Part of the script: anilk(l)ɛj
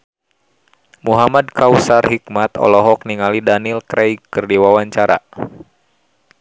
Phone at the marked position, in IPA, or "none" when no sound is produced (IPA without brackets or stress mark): ɾ